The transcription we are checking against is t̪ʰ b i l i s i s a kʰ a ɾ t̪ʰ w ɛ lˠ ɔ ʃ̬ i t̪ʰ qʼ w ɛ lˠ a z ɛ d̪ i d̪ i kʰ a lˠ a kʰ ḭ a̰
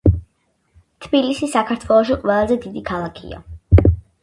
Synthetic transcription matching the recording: t̪ʰ b i l i s i s a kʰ a ɾ t̪ʰ w ɛ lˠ ɔ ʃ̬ i qʼ w ɛ lˠ a z ɛ d̪ i d̪ i kʰ a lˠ a kʰ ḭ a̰